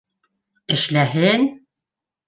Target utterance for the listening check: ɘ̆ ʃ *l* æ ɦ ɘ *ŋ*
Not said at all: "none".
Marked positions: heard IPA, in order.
l, n

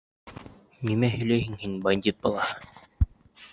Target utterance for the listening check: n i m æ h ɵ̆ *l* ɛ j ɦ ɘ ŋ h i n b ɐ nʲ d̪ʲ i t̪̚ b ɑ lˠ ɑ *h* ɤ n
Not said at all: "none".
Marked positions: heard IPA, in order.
l, h

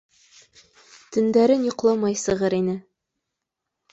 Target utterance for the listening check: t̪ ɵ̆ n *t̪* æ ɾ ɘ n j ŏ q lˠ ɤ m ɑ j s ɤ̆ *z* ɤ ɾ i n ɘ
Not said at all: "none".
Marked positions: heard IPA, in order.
d̪, ʁ

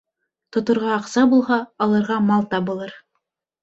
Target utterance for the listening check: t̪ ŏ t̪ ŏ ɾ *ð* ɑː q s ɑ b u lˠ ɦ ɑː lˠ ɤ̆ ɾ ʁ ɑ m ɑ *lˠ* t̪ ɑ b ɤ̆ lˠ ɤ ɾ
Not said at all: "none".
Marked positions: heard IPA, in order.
ʁ, lˠ

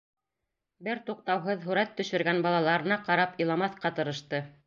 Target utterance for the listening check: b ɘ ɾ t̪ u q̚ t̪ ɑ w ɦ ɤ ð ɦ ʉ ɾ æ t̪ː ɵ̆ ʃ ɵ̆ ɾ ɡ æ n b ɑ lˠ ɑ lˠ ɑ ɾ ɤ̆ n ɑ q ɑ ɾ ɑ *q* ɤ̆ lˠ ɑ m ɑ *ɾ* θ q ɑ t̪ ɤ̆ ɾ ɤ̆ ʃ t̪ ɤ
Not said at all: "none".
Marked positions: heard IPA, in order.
p, none

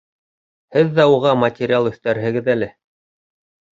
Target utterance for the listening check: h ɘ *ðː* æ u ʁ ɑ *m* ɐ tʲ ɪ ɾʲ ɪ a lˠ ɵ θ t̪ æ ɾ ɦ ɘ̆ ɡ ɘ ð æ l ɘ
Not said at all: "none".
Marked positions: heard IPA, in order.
ðː, m

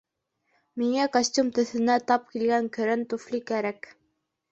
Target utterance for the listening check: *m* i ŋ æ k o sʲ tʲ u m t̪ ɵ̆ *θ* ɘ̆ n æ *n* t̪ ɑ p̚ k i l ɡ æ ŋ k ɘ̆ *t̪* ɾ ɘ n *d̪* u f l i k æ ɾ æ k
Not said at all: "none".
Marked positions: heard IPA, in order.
m, θ, none, none, t̪

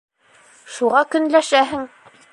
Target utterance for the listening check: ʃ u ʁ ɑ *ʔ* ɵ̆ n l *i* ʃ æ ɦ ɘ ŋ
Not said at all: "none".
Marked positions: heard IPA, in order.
k, æ

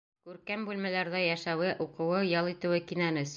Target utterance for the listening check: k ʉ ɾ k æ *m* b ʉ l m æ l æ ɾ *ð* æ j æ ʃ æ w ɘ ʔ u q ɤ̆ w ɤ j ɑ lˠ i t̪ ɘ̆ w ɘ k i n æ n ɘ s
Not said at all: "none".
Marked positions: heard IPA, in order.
m, ð

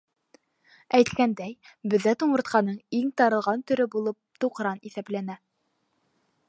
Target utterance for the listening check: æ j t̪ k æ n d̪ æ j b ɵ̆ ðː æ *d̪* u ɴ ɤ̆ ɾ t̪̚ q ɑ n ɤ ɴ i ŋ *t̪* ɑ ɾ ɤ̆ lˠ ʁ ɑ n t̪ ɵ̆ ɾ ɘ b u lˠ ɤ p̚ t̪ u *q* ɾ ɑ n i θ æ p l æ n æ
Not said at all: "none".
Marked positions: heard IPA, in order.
t̪, t̪, q

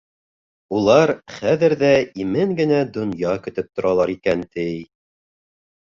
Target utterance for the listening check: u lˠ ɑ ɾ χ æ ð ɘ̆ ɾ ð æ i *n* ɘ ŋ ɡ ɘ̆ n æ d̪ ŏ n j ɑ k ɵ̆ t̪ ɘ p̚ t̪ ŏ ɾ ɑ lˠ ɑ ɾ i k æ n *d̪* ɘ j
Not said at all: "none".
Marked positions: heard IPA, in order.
m, t̪

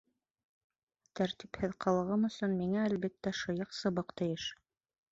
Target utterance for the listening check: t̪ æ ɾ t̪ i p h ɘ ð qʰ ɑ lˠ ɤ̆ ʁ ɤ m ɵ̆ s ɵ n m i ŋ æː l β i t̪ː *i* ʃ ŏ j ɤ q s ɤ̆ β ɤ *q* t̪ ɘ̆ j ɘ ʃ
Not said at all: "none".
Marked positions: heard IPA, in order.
æ, q

